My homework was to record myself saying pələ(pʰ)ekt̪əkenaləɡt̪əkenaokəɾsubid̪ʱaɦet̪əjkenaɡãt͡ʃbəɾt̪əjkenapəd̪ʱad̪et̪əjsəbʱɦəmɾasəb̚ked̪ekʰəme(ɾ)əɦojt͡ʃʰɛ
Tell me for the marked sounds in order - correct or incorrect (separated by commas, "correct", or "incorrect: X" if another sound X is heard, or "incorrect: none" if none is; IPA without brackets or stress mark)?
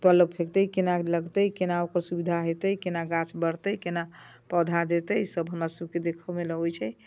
correct, incorrect: l